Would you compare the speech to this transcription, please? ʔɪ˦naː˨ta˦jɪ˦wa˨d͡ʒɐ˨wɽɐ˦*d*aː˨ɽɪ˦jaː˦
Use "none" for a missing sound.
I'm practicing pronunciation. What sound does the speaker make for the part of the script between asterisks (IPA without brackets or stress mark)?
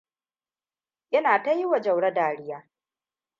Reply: d